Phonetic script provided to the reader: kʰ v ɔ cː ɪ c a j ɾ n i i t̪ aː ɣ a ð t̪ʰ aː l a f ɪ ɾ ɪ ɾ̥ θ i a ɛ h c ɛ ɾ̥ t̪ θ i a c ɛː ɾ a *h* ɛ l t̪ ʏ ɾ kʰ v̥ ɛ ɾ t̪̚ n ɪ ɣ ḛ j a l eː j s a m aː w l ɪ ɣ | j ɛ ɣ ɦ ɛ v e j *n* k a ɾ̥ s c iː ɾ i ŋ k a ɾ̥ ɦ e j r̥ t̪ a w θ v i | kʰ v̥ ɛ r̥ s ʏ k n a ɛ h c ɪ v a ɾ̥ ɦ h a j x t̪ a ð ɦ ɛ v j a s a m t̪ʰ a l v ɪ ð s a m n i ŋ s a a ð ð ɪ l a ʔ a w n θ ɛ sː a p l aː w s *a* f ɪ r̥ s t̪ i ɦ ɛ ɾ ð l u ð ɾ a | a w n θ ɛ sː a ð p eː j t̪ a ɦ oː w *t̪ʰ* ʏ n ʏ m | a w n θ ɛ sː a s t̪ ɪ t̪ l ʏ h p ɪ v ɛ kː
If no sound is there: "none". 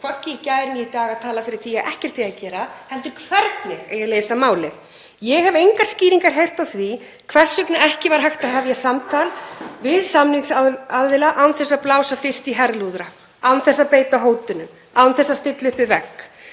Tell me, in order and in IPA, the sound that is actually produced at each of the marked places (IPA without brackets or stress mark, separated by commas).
h, ŋ, a, t̪